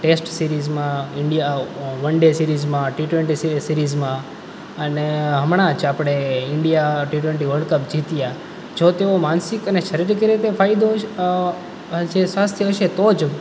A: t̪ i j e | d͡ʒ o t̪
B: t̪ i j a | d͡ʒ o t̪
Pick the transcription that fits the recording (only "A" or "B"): B